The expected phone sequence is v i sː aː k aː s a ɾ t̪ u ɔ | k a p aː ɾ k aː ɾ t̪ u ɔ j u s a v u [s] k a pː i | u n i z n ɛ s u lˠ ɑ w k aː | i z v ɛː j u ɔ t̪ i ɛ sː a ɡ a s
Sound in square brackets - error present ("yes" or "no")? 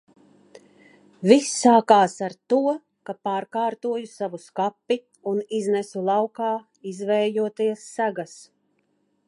no